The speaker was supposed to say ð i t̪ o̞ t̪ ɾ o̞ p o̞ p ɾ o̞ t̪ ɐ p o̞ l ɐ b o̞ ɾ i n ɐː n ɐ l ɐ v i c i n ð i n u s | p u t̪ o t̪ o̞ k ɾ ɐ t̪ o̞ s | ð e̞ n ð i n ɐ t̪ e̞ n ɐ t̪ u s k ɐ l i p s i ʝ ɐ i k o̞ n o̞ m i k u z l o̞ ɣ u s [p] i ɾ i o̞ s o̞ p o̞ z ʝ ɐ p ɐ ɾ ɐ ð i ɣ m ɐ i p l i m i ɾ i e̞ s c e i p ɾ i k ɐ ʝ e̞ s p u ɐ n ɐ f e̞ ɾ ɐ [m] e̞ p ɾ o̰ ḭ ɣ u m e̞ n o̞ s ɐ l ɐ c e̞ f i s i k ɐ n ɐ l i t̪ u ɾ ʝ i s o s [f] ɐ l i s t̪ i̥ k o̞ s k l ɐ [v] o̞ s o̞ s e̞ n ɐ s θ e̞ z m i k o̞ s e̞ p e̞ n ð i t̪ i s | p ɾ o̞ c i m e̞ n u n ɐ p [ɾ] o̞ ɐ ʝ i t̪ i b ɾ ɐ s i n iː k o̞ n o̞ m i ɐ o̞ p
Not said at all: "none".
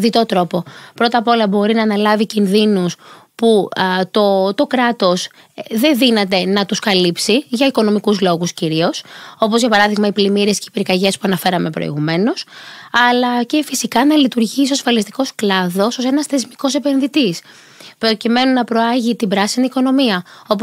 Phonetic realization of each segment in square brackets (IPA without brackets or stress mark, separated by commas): c, m, f, ð, ɾ